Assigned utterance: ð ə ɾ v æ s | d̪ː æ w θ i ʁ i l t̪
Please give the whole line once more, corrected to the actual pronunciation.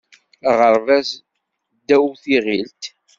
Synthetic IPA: ʁ ə ɾ v æ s | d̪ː æ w θ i ʁ i l t̪

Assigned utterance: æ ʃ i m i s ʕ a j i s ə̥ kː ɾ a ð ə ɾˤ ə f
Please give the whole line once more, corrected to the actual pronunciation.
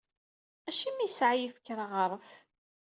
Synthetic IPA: æ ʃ i m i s ʕ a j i f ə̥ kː ɾ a ʁ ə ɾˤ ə f

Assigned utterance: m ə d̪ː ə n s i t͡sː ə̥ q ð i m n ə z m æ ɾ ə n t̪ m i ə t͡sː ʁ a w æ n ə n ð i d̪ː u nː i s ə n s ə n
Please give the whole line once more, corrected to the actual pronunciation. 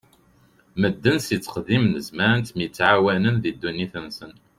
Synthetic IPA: m ə d̪ː ə n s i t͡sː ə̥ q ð i m n ə z m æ ɾ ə n t̪ m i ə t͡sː ʕ a w æ n ə n ð i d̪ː u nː i θ ə n s ə n

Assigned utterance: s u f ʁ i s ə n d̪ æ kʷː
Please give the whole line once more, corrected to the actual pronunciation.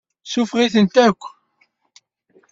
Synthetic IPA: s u f ʁ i θ ə n t̪ æ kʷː

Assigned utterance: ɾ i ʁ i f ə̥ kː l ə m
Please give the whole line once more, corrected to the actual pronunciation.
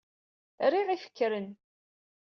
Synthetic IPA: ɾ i ʁ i f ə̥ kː ɾ ə n

